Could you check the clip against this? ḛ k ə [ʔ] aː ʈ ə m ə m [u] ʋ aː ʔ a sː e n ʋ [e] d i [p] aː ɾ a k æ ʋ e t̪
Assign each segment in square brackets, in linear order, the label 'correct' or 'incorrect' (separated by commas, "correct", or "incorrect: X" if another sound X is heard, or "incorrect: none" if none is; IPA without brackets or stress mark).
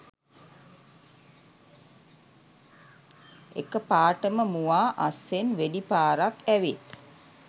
incorrect: p, correct, correct, correct